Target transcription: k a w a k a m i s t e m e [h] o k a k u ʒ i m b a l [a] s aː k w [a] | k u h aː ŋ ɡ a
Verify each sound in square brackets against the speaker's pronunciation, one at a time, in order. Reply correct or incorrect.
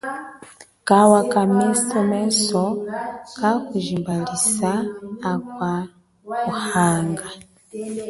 incorrect: s, incorrect: i, correct

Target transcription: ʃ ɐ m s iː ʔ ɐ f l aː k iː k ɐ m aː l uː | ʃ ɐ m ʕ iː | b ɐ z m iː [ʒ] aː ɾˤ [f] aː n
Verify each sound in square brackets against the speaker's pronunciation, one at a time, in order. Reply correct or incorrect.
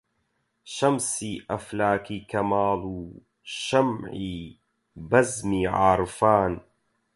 incorrect: ʕ, correct

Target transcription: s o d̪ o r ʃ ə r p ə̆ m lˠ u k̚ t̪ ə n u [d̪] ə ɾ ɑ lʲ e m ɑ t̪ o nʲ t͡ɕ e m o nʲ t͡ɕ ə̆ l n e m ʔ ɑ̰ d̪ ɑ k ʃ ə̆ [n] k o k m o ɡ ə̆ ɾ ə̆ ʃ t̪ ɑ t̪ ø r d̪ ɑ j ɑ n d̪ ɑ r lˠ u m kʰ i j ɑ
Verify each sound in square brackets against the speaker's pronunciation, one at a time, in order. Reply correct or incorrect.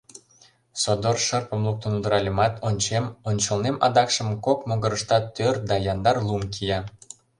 correct, incorrect: m

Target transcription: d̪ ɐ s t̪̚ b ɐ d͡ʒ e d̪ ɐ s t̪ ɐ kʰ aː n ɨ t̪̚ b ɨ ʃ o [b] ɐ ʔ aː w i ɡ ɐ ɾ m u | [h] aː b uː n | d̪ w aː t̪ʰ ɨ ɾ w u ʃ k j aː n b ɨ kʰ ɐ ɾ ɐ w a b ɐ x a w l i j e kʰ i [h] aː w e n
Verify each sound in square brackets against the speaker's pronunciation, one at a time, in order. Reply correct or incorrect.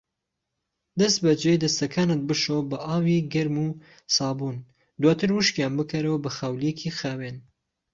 correct, incorrect: s, incorrect: x

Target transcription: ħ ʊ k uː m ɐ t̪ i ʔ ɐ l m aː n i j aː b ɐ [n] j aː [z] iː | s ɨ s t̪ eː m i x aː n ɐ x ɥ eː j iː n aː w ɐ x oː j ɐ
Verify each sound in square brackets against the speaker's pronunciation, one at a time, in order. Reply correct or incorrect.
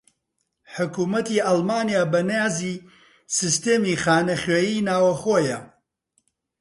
correct, correct

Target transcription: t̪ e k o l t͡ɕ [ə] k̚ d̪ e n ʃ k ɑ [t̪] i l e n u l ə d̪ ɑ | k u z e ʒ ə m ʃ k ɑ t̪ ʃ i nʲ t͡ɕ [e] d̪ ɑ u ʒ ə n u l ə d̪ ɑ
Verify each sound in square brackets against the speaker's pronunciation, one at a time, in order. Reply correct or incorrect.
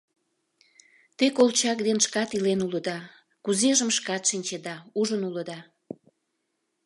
incorrect: ɑ, correct, correct

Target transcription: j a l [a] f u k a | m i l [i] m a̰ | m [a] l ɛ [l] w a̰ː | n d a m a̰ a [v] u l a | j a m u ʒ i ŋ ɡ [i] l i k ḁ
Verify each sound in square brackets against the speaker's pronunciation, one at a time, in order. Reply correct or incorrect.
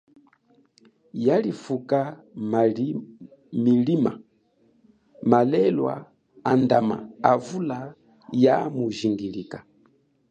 incorrect: i, correct, correct, correct, correct, correct

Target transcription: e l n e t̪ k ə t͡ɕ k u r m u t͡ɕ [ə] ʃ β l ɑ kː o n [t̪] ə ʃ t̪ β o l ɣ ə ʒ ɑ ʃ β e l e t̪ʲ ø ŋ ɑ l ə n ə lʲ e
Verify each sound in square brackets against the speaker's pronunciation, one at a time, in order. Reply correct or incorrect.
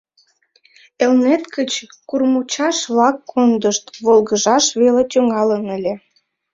incorrect: ɑ, incorrect: d̪

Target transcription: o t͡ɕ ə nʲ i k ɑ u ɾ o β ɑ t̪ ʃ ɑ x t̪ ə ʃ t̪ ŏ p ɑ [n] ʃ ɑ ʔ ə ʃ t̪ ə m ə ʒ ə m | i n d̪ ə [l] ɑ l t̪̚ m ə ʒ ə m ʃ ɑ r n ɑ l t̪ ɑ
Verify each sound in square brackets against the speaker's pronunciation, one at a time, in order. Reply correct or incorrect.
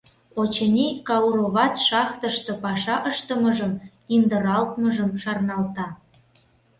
incorrect: none, incorrect: ɾ

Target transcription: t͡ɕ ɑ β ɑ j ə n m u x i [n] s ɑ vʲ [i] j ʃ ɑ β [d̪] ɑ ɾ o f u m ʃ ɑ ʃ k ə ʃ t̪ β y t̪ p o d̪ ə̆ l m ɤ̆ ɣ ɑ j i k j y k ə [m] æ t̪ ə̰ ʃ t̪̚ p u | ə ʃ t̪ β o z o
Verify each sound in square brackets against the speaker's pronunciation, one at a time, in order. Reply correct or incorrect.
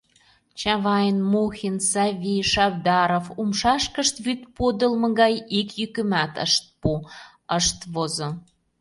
correct, correct, correct, correct

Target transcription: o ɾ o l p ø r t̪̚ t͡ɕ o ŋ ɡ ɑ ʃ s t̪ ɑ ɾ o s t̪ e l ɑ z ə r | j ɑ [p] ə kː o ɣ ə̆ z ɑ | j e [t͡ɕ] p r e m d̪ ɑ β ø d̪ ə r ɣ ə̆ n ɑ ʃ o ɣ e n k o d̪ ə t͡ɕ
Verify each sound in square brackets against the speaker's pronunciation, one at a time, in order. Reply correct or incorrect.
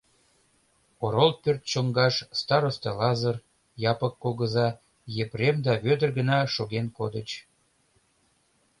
correct, incorrect: none

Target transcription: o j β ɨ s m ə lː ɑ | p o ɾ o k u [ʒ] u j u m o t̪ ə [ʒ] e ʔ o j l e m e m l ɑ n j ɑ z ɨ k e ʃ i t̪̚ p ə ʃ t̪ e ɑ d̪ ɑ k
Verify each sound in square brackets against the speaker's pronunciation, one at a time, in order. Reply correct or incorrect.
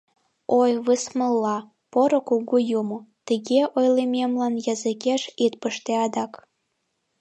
incorrect: ɣ, incorrect: ɣ

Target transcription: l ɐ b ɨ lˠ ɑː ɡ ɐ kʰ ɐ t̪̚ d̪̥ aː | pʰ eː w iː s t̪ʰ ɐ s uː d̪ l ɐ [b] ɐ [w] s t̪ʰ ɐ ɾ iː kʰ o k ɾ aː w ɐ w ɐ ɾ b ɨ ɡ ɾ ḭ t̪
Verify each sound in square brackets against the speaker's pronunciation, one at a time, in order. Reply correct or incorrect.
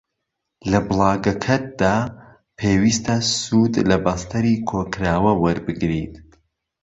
correct, incorrect: none

